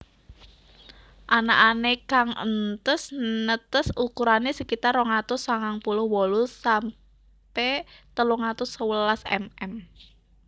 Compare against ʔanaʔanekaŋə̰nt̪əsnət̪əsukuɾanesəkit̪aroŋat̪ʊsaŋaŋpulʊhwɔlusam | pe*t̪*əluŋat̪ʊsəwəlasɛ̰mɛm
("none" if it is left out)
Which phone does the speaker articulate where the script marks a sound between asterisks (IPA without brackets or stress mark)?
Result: t̪